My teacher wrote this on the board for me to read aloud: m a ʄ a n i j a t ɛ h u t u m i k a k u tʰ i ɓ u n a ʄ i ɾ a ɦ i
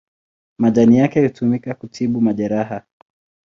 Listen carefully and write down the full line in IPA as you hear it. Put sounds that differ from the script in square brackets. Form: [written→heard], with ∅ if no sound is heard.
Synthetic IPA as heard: m a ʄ a n i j a [t→k] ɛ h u t u m i k a k u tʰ i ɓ u [n→m] a ʄ [i→ɛ] ɾ a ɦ [i→a]